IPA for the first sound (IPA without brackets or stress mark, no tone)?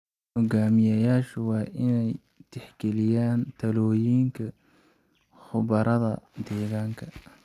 h